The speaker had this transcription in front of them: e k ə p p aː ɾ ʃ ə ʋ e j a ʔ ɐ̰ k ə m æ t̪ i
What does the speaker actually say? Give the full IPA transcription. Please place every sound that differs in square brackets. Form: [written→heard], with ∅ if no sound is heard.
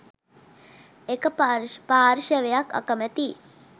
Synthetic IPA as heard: e k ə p p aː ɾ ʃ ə ʋ e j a [ʔ→k] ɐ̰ k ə m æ t̪ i